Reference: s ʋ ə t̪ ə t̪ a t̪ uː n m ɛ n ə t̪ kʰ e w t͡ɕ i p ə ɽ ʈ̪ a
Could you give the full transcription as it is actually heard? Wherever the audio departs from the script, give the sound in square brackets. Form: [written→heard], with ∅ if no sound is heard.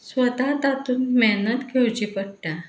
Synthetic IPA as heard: s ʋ ə t̪ [ə→a] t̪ a t̪ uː n m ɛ n ə t̪ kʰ e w t͡ɕ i p ə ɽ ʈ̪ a